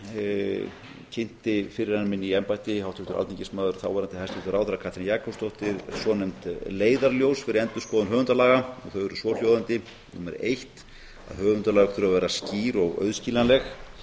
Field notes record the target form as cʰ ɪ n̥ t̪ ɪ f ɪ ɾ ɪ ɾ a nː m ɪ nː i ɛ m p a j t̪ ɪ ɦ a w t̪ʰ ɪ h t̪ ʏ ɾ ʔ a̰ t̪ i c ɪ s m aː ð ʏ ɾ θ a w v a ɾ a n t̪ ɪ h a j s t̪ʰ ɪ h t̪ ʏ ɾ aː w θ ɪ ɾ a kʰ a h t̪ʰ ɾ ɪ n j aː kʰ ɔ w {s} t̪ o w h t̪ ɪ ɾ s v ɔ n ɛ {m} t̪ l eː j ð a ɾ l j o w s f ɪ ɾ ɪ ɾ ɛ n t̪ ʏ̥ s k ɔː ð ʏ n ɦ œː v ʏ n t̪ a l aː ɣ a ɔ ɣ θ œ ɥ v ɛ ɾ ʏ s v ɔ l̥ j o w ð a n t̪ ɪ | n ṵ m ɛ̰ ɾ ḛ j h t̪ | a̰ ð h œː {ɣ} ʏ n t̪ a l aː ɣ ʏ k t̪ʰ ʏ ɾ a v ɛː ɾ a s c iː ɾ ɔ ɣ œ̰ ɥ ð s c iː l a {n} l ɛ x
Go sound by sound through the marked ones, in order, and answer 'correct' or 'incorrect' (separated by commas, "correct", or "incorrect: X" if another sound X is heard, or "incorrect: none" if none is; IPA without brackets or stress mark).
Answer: correct, correct, incorrect: v, correct